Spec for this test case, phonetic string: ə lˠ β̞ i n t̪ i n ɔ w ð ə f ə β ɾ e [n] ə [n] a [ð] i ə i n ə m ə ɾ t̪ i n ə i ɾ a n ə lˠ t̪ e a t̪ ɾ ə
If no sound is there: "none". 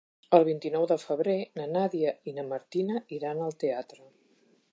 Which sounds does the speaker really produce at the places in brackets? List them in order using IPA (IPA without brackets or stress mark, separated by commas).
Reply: n, n, ð